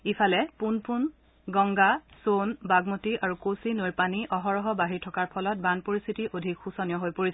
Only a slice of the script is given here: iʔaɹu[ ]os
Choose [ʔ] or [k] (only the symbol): k